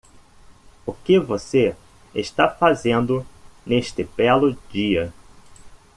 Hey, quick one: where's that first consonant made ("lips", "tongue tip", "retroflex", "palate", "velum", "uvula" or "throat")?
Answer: velum